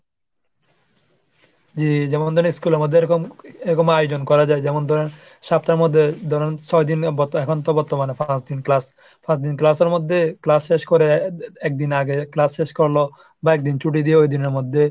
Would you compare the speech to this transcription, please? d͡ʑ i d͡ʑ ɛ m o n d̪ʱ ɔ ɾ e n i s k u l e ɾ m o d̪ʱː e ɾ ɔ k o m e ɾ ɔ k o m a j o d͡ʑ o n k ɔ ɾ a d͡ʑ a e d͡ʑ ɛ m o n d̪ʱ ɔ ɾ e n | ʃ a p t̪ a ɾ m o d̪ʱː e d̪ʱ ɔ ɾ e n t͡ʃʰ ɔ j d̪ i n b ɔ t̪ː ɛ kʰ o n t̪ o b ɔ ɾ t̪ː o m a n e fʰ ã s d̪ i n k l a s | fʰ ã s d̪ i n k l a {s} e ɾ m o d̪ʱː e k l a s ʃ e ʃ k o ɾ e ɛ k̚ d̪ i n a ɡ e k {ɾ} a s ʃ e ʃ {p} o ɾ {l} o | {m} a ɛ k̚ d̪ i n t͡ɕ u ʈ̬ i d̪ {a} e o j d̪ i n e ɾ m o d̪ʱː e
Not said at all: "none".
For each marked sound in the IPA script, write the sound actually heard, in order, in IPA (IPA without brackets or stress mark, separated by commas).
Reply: s, l, k, l, b, i